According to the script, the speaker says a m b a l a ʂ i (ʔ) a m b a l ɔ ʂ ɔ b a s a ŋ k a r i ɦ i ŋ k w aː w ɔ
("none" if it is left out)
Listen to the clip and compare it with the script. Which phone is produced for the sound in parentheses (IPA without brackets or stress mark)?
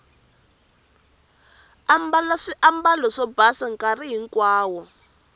ʔ